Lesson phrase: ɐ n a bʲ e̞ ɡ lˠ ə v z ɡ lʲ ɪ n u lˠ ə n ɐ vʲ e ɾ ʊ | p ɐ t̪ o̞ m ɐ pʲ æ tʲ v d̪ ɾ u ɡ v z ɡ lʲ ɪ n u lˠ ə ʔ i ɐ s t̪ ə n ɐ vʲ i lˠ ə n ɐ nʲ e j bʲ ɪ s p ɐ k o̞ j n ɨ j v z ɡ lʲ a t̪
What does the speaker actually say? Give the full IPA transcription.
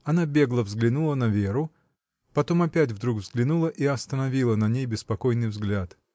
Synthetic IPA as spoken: ɐ n a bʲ e̞ ɡ lˠ ə v z ɡ lʲ ɪ n u lˠ ə n ɐ vʲ e ɾ ʊ | p ɐ t̪ o̞ m ɐ pʲ æ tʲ v d̪ ɾ u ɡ v z ɡ lʲ ɪ n u lˠ ə ʔ i ɐ s t̪ ə n ɐ vʲ i lˠ ə n ɐ nʲ e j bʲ ɪ s p ɐ k o̞ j n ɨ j v z ɡ lʲ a t̪